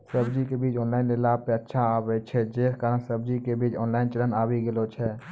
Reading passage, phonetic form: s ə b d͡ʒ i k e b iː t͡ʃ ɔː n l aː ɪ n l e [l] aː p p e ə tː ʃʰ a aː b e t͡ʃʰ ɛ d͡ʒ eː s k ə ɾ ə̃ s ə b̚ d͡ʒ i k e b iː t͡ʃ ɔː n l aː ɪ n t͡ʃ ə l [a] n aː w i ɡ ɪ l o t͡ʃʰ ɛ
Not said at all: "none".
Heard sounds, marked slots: l, ə

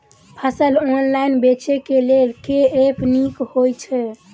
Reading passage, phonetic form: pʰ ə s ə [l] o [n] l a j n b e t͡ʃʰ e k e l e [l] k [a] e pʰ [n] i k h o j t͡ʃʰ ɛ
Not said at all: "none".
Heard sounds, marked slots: l, n, l, e, n

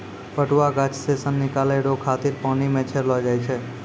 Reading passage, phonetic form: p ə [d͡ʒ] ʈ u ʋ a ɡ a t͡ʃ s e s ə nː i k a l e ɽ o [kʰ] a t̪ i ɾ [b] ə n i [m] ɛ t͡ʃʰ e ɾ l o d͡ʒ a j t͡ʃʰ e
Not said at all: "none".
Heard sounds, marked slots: none, kʰ, p, m

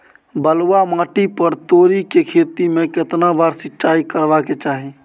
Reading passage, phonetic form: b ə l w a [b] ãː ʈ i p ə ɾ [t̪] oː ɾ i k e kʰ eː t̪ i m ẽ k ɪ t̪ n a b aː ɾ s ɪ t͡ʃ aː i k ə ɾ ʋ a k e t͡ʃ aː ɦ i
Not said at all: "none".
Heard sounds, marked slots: m, t̪

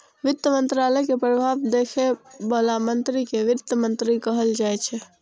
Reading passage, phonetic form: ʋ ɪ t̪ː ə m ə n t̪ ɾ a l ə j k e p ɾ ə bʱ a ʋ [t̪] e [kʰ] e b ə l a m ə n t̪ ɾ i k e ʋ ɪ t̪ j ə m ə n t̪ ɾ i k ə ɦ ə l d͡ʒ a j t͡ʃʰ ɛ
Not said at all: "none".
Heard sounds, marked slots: d̪, kʰ

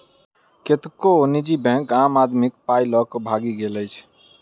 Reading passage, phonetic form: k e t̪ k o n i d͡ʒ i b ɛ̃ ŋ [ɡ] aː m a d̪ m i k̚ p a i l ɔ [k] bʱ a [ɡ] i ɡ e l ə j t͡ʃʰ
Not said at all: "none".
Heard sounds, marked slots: k, k, ɡ

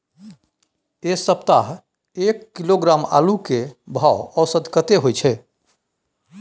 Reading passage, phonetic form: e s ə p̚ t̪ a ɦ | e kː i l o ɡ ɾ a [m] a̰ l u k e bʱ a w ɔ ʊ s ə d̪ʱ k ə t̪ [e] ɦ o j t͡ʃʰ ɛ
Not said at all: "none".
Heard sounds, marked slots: m, e

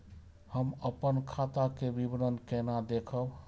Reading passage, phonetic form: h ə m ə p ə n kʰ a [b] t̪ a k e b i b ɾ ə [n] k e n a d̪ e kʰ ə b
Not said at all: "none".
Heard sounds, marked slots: none, n

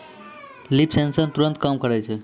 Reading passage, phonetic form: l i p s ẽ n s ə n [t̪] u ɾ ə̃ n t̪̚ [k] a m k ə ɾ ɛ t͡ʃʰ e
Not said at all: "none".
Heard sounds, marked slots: t̪, k

